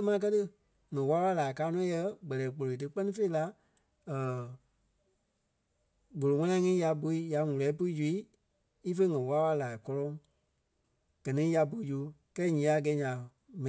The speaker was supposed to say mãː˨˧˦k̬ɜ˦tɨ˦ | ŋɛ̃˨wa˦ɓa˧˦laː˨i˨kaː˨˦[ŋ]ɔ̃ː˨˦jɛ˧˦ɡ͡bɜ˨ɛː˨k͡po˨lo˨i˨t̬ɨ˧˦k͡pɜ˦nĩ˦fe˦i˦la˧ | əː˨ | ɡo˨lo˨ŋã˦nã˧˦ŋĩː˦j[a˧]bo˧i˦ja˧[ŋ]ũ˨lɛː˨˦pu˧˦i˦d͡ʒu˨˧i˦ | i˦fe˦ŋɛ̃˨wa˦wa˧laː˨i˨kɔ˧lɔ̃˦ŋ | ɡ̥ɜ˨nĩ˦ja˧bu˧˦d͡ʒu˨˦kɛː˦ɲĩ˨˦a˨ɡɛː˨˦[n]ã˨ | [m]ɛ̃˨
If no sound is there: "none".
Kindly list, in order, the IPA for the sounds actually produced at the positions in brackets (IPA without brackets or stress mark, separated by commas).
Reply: n, a˧, ŋ, ɲ, m